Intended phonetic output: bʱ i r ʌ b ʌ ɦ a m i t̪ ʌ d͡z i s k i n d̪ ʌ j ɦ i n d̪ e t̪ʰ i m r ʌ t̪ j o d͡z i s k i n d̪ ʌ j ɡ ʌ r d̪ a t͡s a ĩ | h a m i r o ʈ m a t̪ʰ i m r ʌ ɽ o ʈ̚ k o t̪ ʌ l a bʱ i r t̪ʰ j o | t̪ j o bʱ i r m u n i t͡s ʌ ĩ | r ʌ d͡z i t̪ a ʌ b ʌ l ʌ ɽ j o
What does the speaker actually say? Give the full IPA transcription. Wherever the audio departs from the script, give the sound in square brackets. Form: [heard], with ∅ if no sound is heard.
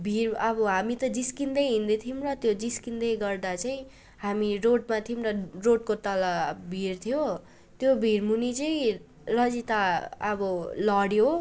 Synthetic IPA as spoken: bʱ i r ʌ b ʌ ɦ a m i t̪ ʌ d͡z i s k i n d̪ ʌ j ɦ i n d̪ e t̪ʰ i m r ʌ t̪ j o d͡z i s k i n d̪ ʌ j ɡ ʌ r d̪ a t͡s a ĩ | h a m i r o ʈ m a t̪ʰ i m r ʌ [r] o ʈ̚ k o t̪ ʌ l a bʱ i r t̪ʰ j o | t̪ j o bʱ i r m u n i t͡s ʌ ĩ | r ʌ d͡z i t̪ a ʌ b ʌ l ʌ ɽ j o